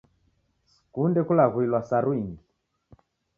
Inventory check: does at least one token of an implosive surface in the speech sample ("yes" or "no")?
no